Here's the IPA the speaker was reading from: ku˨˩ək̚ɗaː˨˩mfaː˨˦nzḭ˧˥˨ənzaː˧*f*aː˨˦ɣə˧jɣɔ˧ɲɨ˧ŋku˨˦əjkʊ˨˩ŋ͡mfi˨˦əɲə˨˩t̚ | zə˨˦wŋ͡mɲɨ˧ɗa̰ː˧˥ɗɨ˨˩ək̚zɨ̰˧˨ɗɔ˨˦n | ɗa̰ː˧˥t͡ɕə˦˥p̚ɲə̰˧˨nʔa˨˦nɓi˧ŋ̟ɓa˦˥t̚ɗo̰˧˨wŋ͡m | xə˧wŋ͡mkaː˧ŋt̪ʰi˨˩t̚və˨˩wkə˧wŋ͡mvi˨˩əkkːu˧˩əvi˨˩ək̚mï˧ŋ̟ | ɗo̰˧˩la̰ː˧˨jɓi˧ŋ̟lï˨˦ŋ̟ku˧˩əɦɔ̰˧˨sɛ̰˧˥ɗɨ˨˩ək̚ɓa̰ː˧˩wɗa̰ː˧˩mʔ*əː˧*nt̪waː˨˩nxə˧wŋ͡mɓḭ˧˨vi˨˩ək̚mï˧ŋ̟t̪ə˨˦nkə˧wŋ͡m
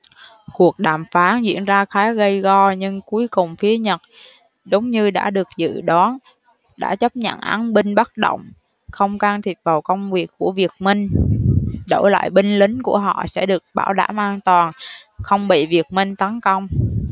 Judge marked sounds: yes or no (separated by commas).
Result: no, no